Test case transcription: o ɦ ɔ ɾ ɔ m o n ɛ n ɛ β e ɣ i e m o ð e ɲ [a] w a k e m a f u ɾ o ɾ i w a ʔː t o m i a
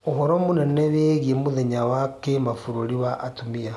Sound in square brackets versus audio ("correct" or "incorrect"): correct